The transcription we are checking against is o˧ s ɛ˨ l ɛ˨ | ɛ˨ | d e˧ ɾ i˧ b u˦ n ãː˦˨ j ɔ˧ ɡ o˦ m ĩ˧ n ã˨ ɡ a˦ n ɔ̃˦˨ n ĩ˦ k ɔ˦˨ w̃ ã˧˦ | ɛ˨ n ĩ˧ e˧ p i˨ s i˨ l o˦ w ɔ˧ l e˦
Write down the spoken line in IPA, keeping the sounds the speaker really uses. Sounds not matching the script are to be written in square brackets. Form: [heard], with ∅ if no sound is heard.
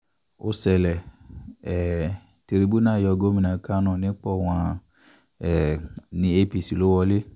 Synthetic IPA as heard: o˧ s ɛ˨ l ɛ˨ | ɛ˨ | [t] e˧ ɾ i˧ b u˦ n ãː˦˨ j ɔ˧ ɡ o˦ m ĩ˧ n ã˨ [k] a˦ n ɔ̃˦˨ n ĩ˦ [k͡p] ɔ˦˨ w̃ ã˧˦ | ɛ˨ n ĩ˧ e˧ p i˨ s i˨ l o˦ w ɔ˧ l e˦